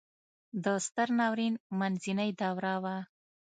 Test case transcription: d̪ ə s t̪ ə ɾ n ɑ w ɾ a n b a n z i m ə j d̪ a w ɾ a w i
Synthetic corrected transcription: d̪ ə s t̪ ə ɾ n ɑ w ɾ i n m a n z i n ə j d̪ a w ɾ a w a